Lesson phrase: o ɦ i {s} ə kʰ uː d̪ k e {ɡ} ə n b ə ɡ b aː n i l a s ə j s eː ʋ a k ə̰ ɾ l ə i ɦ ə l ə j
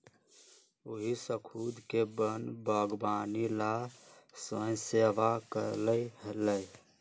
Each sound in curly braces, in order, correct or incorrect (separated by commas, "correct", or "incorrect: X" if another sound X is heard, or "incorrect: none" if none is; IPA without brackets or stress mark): correct, incorrect: b